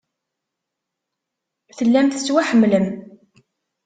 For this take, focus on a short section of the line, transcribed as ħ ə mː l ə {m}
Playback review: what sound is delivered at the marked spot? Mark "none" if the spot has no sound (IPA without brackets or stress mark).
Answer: m